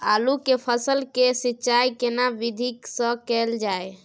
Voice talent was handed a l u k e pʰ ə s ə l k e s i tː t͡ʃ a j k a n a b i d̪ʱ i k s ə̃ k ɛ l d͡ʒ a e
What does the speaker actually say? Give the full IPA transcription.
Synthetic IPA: a l u k e pʰ ə s ə l k e s i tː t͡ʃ a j k e n a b i d̪ʱ i k s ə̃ k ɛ l d͡ʒ a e